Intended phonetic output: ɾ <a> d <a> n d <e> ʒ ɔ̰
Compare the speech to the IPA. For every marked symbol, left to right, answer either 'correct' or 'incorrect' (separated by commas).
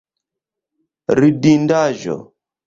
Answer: incorrect, incorrect, incorrect